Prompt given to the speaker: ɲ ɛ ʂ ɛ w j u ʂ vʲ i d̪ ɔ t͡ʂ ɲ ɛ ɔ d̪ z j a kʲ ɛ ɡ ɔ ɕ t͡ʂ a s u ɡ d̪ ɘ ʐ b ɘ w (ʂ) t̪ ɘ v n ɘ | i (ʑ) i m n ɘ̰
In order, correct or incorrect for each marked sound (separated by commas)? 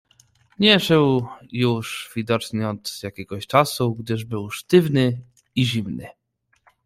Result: correct, correct